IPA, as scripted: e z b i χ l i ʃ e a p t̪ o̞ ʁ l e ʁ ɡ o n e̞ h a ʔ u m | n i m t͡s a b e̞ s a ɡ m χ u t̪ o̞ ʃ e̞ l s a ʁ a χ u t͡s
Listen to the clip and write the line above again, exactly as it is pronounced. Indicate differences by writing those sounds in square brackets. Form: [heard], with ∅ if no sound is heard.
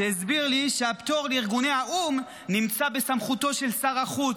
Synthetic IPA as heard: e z b i [ʁ] l i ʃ e a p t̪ o̞ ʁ l [i] ʁ ɡ [u] n e̞ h a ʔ u m | n i m t͡s a b e̞ s a [∅] m χ u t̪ o̞ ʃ e̞ l s a ʁ a χ u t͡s